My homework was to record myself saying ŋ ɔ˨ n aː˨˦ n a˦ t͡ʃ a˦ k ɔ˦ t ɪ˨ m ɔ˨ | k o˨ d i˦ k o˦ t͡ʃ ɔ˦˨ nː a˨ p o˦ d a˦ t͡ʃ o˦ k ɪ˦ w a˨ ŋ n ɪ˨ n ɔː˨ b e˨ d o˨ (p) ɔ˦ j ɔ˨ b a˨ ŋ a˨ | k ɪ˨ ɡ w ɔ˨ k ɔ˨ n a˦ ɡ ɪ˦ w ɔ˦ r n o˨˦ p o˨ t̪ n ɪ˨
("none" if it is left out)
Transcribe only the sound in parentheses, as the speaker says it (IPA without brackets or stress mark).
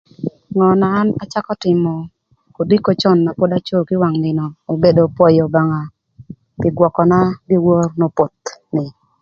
p